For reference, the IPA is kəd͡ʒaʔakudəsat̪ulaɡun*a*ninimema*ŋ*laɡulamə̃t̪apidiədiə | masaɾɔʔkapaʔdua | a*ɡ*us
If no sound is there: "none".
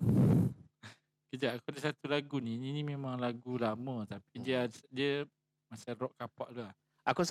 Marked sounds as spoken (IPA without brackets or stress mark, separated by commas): i, ŋ, k